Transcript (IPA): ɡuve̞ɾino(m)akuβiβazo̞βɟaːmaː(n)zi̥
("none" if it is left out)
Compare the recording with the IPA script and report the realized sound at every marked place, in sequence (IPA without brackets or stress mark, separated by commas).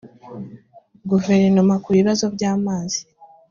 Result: m, none